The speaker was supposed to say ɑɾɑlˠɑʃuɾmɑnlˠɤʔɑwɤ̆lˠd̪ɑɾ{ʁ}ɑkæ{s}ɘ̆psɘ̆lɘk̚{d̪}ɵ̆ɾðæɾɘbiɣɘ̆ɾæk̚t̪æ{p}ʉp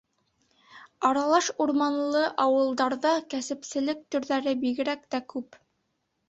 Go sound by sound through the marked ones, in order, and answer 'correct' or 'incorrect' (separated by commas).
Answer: incorrect, correct, incorrect, incorrect